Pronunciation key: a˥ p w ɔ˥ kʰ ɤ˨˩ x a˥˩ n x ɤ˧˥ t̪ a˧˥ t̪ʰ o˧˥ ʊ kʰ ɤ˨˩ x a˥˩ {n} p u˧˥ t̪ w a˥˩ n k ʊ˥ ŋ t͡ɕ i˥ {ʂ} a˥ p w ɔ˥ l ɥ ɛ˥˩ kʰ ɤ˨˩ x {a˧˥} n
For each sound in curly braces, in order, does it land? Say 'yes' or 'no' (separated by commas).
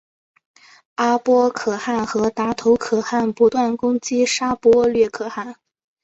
yes, yes, no